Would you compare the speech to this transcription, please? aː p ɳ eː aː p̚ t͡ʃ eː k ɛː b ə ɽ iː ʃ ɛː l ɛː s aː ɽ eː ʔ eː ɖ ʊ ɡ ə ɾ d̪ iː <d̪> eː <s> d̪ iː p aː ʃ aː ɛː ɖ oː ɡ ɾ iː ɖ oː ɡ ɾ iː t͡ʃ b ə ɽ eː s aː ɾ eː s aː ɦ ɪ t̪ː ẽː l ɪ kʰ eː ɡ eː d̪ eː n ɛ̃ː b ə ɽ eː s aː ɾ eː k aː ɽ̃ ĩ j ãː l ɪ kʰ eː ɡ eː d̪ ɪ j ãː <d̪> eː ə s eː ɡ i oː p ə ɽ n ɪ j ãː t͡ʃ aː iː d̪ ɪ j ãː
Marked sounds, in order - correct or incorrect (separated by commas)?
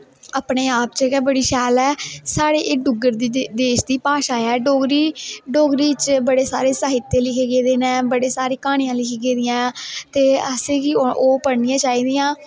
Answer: correct, incorrect, incorrect